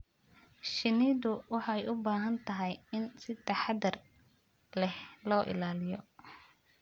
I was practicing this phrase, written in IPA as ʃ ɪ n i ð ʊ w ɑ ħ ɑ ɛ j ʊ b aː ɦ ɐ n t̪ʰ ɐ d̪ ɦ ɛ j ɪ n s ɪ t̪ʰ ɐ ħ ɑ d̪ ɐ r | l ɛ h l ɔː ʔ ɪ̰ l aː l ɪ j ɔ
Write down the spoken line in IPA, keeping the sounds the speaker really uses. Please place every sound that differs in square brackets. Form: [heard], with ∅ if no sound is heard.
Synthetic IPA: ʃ ɪ n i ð ʊ w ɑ ħ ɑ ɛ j ʊ b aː ɦ ɐ n t̪ʰ ɐ [∅] ɦ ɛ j ɪ n s ɪ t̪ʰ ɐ ħ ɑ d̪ ɐ r | l ɛ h l ɔː ʔ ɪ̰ l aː l ɪ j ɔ